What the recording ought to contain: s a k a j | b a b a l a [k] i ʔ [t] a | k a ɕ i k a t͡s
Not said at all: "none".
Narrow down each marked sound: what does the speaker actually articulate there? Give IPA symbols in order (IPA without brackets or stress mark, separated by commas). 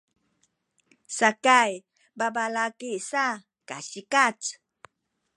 k, s